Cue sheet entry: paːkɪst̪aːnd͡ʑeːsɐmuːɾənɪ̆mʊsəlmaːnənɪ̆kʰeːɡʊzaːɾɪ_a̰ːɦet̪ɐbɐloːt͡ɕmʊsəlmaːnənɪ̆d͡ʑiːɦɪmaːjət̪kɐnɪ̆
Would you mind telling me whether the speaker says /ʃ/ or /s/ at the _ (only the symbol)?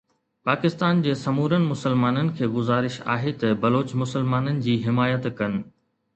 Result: ʃ